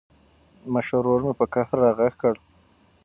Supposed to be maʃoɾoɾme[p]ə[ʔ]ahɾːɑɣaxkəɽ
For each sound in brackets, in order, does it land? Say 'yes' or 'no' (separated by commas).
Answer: yes, no